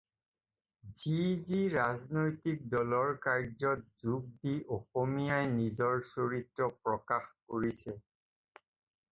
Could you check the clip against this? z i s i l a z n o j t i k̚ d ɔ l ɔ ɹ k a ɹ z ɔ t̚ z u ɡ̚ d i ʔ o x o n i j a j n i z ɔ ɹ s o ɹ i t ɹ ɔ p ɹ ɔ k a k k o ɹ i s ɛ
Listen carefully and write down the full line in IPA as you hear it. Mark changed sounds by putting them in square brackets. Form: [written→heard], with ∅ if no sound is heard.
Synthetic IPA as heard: z i [s→z] i [l→ɹ] a z n o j t i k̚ d ɔ l ɔ ɹ k a ɹ z ɔ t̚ z u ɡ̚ d i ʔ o x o [n→m] i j a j n i z ɔ ɹ s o ɹ i t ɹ ɔ p ɹ ɔ k a [k→x] k o ɹ i s ɛ